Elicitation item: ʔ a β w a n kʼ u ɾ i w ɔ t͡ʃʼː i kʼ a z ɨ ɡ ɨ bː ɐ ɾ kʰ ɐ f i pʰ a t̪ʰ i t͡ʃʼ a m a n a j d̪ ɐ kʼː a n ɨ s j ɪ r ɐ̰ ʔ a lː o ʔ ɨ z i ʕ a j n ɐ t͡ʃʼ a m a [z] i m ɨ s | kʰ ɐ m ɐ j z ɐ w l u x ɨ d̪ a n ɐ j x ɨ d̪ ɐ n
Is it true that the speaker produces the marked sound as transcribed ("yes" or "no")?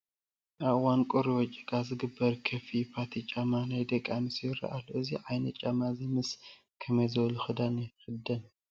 yes